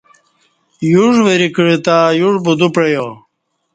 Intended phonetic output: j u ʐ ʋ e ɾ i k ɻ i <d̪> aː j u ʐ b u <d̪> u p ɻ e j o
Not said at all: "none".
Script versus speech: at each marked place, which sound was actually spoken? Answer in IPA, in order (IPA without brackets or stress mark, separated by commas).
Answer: t̪, d̪